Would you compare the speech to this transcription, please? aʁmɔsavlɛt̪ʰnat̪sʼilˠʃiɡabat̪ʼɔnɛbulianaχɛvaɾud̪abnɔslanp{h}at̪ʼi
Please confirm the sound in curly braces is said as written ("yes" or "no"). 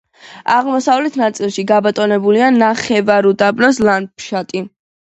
no